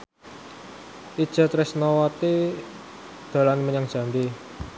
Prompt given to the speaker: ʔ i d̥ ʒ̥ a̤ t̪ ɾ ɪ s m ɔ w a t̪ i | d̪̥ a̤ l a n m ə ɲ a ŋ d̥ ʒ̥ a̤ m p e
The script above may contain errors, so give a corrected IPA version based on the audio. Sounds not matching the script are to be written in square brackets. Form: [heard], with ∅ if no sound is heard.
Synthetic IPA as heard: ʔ i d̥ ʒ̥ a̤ t̪ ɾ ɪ s [n] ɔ w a t̪ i | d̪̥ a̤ l a n m ə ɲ a ŋ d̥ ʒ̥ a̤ m [b] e